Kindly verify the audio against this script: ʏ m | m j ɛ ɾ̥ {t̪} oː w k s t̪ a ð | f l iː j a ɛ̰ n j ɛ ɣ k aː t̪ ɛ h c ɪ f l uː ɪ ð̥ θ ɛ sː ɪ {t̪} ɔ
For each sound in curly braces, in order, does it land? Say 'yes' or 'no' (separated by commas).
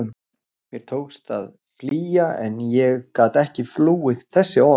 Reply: no, no